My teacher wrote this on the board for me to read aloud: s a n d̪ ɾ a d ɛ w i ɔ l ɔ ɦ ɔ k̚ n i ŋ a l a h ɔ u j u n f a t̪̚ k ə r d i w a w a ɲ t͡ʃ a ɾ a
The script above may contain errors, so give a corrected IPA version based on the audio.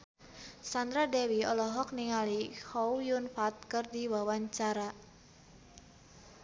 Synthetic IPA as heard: s a n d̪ ɾ a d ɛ w i ɔ l ɔ ɦ ɔ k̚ n i ŋ a l i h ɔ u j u n f a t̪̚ k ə r d i w a w a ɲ t͡ʃ a ɾ a